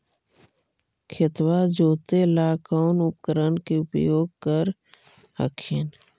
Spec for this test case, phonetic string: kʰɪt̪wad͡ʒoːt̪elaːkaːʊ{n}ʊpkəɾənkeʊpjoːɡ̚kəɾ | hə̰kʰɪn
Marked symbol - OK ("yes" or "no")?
yes